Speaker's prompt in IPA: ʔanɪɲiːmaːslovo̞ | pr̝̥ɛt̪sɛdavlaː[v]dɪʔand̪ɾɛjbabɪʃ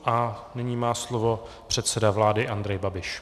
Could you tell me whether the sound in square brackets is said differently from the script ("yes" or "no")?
yes